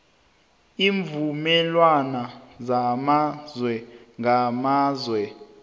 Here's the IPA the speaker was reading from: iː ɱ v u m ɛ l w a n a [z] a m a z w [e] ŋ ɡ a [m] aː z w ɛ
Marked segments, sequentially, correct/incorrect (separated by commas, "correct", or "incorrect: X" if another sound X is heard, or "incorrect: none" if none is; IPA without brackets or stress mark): correct, incorrect: ɛ, correct